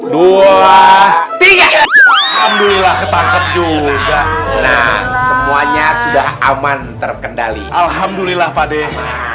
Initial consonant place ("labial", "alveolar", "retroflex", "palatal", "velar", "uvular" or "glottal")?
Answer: alveolar